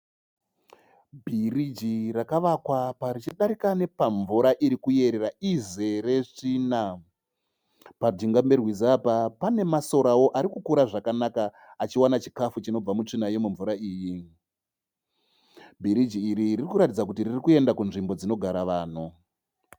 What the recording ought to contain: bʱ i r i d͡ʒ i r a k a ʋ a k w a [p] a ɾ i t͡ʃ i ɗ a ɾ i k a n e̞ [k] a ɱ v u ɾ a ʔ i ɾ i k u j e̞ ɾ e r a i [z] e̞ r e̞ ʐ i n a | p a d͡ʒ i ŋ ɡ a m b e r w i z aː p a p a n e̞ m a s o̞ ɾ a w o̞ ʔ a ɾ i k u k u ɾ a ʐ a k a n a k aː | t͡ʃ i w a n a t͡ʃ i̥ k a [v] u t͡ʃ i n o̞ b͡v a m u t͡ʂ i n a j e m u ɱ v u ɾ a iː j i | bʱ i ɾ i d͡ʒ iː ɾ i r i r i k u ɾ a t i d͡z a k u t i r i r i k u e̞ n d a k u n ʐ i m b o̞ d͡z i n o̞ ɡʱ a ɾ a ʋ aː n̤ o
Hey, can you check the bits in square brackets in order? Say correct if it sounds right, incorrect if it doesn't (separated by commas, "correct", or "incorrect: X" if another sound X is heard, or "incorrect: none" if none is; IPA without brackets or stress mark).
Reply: correct, incorrect: p, correct, incorrect: f